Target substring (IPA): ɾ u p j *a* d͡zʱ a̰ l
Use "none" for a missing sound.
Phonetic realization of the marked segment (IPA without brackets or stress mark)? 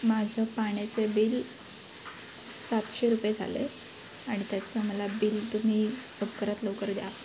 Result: e